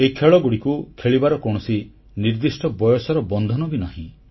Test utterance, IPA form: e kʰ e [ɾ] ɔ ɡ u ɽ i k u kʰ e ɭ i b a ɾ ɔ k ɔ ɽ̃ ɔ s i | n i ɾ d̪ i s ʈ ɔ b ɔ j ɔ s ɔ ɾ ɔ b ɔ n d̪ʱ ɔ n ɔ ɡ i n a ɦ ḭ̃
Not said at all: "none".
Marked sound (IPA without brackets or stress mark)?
ɭ